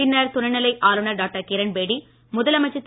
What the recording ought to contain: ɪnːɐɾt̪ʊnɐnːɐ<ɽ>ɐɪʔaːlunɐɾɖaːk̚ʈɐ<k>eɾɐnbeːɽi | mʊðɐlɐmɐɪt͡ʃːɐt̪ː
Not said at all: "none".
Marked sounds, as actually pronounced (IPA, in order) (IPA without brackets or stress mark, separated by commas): l, k